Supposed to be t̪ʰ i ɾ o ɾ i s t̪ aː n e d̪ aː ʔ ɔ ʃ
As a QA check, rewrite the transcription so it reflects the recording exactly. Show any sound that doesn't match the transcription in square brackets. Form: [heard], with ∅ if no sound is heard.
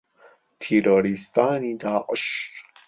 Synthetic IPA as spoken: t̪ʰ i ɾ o ɾ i s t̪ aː n [i] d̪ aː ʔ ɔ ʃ